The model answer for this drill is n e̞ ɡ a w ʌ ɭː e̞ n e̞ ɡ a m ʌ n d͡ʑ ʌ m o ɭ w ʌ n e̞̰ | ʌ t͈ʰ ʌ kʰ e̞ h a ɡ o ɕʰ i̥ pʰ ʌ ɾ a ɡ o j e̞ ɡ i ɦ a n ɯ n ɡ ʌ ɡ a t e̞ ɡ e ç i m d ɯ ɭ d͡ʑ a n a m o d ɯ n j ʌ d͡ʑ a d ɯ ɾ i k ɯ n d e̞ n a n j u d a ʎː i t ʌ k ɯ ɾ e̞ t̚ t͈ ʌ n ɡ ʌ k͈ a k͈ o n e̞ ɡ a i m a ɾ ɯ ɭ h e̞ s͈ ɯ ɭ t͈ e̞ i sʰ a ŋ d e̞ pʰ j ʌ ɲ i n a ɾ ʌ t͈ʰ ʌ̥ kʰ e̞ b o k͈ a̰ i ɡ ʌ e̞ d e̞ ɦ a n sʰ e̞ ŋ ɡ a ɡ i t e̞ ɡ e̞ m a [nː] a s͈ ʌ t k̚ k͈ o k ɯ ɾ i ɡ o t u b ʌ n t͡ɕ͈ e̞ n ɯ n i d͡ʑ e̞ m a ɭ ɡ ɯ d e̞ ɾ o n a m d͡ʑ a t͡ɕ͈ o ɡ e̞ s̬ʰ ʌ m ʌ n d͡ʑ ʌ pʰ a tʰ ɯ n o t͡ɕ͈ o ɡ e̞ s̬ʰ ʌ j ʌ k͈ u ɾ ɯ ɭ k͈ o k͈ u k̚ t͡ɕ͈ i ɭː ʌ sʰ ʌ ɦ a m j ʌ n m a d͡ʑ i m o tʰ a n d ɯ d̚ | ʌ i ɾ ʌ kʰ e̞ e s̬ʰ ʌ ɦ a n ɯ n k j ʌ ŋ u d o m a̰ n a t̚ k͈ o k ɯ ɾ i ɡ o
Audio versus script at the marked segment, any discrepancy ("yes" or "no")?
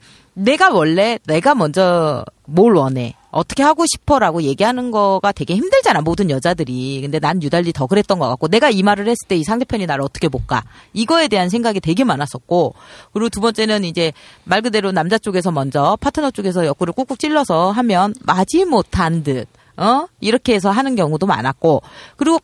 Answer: yes